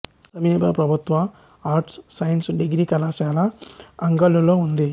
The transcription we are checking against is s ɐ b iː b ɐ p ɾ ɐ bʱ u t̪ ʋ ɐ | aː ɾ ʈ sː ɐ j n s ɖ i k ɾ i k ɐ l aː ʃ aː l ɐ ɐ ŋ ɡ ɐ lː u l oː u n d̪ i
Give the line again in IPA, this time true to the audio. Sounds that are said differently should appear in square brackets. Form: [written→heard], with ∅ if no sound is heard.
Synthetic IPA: s ɐ [b→m] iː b ɐ p ɾ ɐ bʱ u t̪ ʋ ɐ | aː ɾ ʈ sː ɐ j n s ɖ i [k→ɡ] ɾ i k ɐ l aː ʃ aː l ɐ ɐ ŋ ɡ ɐ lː u l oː u n d̪ i